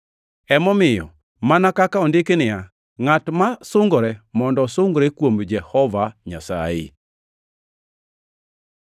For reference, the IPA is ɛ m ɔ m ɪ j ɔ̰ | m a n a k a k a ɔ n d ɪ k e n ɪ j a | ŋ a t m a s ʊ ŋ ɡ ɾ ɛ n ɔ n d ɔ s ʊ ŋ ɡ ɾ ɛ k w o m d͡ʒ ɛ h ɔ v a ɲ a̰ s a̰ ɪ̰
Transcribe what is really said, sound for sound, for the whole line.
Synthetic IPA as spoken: ɛ m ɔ m ɪ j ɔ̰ | m a n a k a k a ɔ n d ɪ k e n ɪ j a | ŋ a t m a s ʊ ŋ ɡ ɾ ɛ m ɔ n d ɔ s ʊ ŋ ɡ ɾ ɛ k w o m d͡ʒ ɛ h ɔ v a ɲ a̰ s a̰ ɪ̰